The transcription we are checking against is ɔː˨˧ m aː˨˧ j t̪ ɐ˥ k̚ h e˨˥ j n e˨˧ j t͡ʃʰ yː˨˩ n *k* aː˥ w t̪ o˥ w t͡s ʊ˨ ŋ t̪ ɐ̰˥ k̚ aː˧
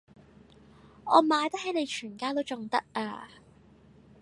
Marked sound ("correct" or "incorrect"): correct